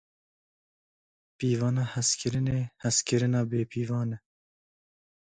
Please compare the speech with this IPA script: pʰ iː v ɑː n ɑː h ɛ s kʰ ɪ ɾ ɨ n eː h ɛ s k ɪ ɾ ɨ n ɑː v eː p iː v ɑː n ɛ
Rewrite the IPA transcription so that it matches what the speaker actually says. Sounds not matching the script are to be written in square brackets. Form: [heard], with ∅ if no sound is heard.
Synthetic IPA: [p] iː v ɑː n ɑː h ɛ s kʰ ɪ ɾ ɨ n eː h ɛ s k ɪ ɾ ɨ n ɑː [b] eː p iː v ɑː n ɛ